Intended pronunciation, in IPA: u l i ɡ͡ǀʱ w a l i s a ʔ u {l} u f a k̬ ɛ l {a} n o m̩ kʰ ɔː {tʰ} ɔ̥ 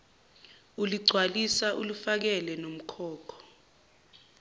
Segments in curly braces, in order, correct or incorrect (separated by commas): correct, incorrect, incorrect